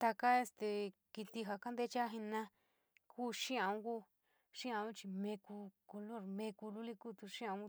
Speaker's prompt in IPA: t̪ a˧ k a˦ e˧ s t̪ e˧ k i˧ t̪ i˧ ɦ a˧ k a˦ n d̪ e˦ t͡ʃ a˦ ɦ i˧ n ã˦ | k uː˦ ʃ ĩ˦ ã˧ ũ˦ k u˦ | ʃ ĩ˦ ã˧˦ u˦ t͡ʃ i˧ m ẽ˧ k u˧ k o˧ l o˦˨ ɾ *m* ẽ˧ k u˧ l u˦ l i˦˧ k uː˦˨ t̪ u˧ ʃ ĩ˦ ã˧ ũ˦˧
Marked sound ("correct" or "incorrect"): correct